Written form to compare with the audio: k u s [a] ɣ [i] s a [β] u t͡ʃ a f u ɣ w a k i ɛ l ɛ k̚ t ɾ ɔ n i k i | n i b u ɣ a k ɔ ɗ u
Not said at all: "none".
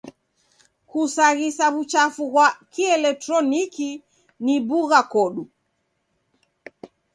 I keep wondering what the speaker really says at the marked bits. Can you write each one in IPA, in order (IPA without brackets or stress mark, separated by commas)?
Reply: a, i, β